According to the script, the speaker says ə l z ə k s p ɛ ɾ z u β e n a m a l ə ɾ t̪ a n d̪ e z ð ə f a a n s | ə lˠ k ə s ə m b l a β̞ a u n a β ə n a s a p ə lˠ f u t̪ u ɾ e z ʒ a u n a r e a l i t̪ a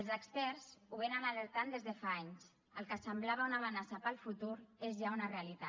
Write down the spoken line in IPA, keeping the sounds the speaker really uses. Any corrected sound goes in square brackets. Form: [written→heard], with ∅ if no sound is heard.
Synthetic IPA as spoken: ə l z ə k s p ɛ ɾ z u β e n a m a l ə ɾ t̪ a n d̪ e z ð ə f a a [n→ɲ] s | ə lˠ k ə s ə m b l a β̞ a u n a β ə n a s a p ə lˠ f u t̪ u ɾ e z ʒ a u n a r e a l i t̪ a